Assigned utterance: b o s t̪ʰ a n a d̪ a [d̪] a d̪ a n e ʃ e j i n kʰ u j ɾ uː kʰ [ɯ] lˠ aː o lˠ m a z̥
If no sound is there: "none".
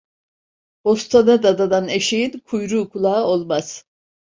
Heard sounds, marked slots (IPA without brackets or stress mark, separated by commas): d̪, u